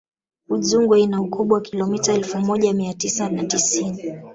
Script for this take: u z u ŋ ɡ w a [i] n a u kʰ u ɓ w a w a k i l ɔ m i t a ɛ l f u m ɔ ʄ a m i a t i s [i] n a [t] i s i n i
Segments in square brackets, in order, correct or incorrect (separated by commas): correct, incorrect, correct